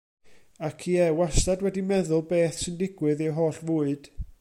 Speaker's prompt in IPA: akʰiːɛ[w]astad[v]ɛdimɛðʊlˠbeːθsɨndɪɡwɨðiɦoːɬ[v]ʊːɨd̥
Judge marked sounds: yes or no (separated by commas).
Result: yes, no, yes